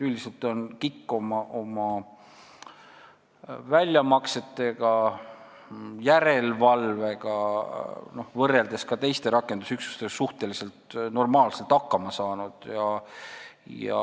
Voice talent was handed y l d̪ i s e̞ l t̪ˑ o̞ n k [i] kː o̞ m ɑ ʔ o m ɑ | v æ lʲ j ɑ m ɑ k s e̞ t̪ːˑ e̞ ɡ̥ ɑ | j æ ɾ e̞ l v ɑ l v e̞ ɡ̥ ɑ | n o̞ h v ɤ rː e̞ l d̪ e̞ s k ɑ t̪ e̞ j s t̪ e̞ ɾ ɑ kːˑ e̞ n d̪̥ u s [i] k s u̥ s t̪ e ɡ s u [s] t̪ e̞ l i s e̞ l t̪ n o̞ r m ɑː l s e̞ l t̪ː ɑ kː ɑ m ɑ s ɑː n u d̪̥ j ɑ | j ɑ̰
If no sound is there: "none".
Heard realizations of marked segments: i, y, h

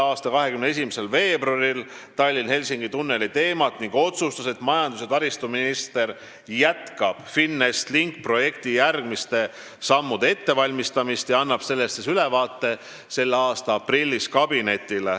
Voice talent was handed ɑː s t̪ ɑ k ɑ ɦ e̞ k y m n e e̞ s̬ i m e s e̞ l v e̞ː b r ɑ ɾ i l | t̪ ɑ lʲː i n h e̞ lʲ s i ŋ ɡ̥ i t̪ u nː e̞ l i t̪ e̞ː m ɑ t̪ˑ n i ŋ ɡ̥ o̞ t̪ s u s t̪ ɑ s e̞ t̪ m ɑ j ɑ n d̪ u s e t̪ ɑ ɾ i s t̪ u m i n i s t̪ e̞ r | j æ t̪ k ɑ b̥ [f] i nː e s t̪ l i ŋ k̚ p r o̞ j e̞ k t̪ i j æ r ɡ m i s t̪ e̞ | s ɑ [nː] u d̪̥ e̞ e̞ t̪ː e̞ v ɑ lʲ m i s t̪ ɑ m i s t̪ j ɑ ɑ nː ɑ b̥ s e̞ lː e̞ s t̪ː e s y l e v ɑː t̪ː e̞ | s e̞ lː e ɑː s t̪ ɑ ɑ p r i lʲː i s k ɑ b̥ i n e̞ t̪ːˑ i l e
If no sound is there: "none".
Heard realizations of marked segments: f, mː

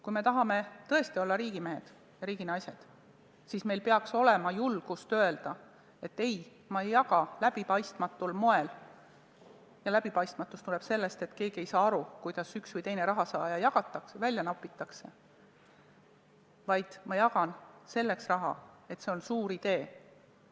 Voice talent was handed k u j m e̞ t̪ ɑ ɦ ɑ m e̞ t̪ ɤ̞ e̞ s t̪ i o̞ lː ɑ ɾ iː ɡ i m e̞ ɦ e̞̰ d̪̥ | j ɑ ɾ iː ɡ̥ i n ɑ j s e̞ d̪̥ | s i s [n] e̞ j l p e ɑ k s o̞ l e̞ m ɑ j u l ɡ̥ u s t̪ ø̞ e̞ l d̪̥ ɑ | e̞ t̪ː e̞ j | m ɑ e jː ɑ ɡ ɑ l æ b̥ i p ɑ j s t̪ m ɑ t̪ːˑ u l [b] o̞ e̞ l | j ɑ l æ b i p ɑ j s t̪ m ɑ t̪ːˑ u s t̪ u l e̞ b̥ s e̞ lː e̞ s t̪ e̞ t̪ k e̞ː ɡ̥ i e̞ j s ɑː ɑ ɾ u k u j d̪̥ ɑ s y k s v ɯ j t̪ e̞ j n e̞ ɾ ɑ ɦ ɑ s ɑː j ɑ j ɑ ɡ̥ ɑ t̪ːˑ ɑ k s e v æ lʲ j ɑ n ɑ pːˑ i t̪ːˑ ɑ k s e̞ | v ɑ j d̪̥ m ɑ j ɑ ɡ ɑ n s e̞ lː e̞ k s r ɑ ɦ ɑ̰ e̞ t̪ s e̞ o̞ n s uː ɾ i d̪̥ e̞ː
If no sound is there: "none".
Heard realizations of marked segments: m, m

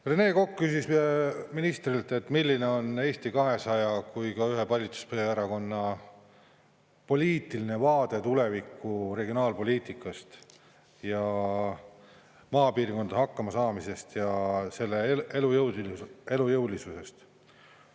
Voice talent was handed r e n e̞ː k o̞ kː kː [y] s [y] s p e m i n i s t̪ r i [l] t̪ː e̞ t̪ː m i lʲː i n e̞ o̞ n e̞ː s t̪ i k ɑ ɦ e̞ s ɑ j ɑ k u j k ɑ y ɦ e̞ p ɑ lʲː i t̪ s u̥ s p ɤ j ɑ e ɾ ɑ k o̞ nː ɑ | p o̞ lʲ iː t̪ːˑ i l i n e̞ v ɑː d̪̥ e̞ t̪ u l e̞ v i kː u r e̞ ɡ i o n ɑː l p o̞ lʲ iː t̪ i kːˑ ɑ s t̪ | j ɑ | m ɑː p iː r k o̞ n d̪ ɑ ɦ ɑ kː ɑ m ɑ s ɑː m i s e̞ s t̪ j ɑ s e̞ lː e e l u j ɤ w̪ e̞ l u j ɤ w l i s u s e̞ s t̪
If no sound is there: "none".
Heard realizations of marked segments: y, i, l

